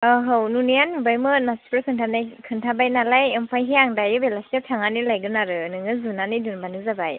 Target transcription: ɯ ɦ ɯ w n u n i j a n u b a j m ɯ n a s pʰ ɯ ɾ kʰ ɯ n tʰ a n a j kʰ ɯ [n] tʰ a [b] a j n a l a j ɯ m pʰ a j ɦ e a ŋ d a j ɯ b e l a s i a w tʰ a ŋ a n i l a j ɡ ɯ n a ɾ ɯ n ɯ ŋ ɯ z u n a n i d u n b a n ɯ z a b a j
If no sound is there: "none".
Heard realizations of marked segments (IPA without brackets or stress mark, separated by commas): n, b